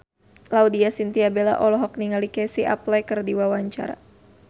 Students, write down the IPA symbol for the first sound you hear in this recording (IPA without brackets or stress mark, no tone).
l